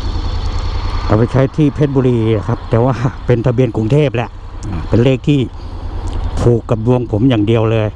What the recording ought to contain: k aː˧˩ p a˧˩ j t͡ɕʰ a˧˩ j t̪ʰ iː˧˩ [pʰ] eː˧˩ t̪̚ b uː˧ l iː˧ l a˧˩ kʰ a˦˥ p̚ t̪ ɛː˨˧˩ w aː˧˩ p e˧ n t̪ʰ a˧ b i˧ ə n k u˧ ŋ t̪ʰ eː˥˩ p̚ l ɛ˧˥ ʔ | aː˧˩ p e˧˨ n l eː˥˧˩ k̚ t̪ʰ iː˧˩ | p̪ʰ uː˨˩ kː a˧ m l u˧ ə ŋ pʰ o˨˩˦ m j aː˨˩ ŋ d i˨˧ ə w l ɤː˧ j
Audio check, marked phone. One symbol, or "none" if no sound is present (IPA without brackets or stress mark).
pʰ